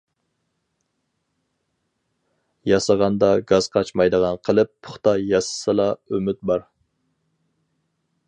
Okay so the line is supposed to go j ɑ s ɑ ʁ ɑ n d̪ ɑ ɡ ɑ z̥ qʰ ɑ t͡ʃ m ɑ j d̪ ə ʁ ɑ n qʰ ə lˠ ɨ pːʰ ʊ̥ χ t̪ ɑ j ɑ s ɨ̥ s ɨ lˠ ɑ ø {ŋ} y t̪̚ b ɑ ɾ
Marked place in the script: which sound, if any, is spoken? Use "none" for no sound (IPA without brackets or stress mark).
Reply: m